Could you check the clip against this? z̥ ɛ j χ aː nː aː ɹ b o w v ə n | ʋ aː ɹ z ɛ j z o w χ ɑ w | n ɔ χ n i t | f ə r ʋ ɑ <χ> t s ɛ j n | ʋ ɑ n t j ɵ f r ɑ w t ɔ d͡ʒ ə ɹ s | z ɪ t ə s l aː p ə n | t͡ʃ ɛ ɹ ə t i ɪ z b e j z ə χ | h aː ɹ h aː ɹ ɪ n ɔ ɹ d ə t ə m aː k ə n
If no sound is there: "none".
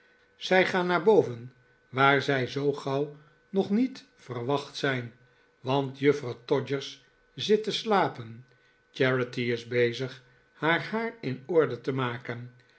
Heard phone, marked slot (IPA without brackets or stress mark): χ